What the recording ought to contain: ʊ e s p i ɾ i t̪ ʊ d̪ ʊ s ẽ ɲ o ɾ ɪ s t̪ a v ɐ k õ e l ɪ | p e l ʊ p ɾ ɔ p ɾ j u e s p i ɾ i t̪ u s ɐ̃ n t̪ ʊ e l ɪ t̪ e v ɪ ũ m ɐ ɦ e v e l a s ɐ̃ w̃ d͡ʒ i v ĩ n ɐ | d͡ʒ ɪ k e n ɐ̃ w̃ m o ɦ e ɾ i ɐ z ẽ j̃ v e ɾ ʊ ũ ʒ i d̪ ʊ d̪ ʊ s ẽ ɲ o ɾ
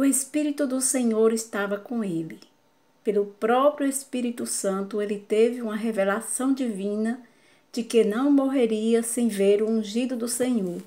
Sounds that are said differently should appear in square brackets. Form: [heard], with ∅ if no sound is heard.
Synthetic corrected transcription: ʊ e s p i ɾ i t̪ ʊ d̪ ʊ s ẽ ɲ o ɾ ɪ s t̪ a v ɐ k õ e l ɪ | p e l ʊ p ɾ ɔ p ɾ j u e s p i ɾ i t̪ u s ɐ̃ n t̪ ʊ e l ɪ t̪ e v ɪ ũ m ɐ ɦ e v e l a s ɐ̃ w̃ d͡ʒ i v ĩ n ɐ | d͡ʒ ɪ k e n ɐ̃ w̃ m o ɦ e ɾ i ɐ [s] ẽ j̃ v e ɾ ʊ ũ ʒ i d̪ ʊ d̪ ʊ s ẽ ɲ o ɾ